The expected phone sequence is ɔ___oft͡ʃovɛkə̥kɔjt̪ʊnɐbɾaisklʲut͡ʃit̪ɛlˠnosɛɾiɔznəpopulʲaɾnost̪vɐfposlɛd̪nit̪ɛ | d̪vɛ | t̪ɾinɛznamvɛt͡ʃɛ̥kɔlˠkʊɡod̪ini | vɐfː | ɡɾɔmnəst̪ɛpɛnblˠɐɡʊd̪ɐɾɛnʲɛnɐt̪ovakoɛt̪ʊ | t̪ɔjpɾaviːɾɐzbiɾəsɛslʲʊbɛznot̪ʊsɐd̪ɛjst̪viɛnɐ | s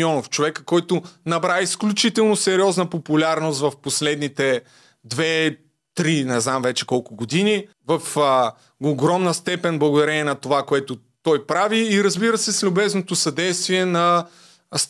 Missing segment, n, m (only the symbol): n